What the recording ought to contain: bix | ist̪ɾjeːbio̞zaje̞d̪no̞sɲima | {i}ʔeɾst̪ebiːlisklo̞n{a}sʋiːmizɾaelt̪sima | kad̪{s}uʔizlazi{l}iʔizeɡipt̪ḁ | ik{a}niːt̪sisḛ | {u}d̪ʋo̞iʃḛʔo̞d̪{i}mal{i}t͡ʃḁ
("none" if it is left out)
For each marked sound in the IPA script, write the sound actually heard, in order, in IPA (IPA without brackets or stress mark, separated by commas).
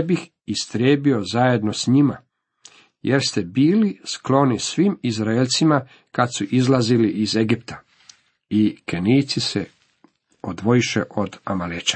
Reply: j, i, s, l, e, o, a, e